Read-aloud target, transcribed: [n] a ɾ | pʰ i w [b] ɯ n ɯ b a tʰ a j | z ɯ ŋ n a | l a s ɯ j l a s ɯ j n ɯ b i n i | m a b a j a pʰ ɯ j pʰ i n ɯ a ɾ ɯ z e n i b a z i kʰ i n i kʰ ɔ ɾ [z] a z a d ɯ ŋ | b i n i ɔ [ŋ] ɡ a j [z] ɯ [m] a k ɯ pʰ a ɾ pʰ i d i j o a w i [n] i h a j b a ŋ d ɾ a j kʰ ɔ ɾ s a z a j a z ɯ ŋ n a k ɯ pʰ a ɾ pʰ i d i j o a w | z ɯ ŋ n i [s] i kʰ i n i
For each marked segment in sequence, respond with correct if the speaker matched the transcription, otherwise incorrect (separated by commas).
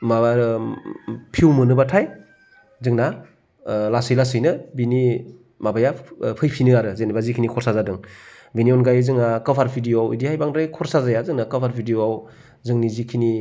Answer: incorrect, incorrect, incorrect, incorrect, correct, incorrect, incorrect, incorrect